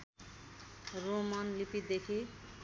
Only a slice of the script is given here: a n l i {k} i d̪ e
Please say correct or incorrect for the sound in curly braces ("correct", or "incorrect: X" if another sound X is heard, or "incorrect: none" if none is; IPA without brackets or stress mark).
incorrect: p